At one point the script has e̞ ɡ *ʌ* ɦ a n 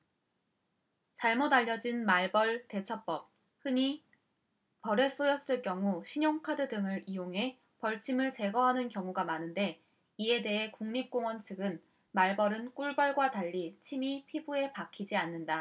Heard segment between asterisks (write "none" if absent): ʌ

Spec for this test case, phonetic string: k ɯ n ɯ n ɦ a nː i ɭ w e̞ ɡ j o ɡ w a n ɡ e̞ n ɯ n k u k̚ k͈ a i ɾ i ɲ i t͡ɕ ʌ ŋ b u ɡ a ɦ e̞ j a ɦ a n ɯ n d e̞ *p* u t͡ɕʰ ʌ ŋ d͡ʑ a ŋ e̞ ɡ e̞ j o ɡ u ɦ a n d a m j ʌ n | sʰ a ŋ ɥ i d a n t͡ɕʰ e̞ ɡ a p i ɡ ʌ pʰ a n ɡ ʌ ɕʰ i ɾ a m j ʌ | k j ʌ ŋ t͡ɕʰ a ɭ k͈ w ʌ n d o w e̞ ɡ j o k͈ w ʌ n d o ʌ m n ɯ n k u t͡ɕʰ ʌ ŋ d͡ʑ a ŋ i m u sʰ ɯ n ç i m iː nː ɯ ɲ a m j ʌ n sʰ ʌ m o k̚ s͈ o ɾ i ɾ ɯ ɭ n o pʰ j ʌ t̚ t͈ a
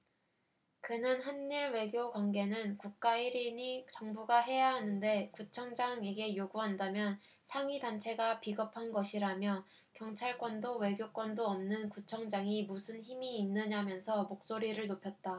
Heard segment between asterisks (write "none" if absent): k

